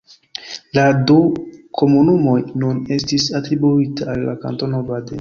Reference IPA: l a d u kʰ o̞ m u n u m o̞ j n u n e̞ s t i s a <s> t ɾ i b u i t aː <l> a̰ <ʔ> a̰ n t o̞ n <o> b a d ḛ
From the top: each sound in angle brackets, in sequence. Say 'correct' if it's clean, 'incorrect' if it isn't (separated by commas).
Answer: incorrect, incorrect, incorrect, correct